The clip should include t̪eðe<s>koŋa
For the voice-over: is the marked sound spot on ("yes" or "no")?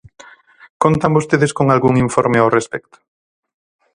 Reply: yes